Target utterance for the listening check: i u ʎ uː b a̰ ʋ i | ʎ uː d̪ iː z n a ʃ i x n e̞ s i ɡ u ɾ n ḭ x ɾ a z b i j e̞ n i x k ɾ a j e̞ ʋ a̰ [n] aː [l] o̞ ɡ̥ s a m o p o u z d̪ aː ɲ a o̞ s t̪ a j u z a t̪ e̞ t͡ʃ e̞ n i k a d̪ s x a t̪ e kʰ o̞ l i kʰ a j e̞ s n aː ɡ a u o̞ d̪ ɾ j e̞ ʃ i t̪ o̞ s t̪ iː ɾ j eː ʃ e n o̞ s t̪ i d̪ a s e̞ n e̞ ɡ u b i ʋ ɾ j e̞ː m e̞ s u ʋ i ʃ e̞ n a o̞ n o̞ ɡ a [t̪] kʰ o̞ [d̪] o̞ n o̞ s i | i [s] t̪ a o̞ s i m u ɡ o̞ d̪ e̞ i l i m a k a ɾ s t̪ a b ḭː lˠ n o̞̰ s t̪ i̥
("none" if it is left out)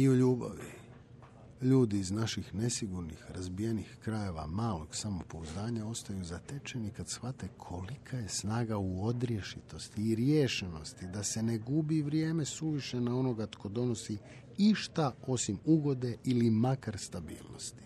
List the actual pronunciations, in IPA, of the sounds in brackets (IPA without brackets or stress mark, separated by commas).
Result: m, l, t̪, d̪, ʃ